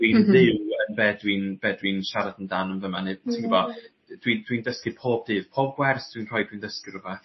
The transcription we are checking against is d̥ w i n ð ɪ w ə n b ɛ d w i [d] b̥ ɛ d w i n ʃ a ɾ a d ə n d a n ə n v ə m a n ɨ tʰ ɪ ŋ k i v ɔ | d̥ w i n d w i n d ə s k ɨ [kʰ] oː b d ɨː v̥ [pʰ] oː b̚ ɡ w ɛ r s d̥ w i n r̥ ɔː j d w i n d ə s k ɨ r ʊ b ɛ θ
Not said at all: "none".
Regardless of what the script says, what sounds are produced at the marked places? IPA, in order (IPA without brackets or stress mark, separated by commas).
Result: n, pʰ, pʰ